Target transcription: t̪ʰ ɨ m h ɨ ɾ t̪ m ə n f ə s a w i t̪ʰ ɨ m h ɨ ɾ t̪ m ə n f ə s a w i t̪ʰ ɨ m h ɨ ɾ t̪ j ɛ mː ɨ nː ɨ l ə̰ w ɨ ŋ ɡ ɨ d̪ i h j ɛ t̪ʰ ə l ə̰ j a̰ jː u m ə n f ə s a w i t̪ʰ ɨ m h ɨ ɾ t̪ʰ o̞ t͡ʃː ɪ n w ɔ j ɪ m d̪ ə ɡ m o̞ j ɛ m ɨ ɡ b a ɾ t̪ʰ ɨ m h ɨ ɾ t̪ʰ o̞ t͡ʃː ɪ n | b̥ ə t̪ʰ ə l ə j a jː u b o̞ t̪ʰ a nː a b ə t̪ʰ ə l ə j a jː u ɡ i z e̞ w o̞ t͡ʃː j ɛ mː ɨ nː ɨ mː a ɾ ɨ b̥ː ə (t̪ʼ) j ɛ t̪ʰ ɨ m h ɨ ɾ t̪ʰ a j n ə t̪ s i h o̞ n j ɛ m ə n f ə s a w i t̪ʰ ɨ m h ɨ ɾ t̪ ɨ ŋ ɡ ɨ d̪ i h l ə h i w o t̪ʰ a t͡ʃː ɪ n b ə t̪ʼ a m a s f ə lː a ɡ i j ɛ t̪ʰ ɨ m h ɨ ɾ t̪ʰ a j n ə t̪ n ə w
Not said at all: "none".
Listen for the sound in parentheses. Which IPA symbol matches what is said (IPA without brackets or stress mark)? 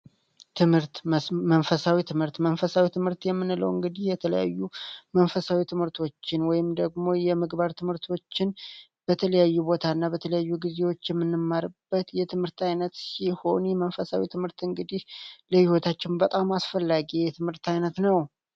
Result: t̪